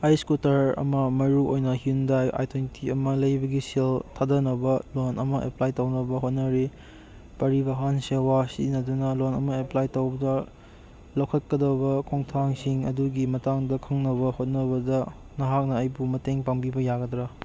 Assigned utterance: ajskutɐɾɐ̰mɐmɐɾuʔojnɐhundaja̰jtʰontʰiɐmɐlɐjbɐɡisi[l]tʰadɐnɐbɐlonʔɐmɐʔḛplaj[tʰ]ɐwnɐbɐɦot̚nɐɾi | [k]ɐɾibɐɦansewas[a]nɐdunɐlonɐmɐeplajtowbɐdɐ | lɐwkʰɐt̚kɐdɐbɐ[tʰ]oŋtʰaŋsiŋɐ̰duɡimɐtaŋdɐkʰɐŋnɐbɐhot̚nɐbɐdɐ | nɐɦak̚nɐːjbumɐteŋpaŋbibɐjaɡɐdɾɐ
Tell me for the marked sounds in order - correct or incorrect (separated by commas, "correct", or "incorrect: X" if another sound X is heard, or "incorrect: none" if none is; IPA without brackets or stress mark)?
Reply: correct, incorrect: t, incorrect: p, incorrect: i, incorrect: kʰ